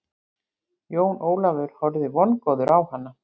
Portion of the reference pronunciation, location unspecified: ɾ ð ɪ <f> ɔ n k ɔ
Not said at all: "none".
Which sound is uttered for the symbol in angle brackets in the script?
v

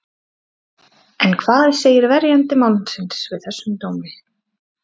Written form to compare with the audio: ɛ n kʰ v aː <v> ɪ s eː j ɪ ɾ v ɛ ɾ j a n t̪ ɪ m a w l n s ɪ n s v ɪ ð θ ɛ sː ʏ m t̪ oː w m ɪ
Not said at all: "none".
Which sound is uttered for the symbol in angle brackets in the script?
ð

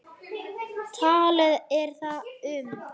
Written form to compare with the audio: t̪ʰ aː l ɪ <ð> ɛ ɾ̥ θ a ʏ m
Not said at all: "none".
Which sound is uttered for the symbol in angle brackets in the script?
ð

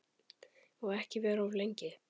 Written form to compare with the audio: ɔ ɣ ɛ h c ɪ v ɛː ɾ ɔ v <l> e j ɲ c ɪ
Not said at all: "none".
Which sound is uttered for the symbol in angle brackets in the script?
l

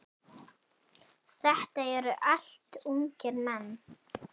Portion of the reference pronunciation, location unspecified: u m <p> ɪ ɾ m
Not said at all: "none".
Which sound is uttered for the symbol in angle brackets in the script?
c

